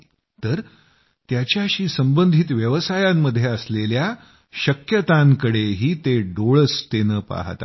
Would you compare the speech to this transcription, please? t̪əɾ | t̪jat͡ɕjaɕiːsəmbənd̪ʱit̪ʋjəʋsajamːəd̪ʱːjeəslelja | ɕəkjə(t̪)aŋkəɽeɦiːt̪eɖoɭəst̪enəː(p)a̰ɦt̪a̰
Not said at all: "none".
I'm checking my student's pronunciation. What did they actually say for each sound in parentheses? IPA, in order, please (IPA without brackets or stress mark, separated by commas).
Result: t̪, p